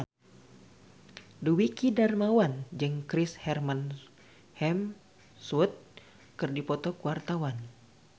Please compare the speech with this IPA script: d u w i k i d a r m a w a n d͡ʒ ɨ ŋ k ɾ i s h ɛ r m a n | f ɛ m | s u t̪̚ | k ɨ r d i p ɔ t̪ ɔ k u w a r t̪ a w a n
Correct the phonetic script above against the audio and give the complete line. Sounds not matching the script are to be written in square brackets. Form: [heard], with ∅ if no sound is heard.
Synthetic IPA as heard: d u w i k i d a r m a w a n d͡ʒ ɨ ŋ k ɾ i s h ɛ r m a n | [h] ɛ m | s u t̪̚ | k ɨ r d i p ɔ t̪ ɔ k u w a r t̪ a w a n